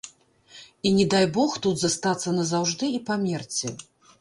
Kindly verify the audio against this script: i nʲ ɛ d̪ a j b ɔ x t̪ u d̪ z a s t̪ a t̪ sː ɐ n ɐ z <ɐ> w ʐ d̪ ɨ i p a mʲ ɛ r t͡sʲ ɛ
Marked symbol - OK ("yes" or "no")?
no